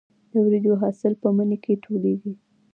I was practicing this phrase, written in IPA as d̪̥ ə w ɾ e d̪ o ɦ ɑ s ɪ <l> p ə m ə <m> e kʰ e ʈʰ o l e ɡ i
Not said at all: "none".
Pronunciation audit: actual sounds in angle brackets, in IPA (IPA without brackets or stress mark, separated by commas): l, n